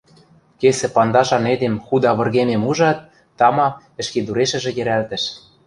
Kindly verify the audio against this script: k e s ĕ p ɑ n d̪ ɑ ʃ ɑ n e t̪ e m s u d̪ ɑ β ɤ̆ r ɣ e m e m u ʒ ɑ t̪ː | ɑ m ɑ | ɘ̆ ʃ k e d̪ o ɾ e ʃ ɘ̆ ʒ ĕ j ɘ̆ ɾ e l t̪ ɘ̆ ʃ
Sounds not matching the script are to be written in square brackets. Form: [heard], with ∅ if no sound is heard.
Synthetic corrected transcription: k e s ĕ p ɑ n d̪ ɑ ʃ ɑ n e [d̪] e m [x] u d̪ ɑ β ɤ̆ r ɣ e m e m u ʒ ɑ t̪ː | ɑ m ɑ | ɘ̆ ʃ k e d̪ [u] ɾ e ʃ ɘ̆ ʒ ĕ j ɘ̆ ɾ [æ] l t̪ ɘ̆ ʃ